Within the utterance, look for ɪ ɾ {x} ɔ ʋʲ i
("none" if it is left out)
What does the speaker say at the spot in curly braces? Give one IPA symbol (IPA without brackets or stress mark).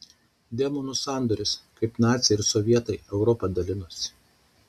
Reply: s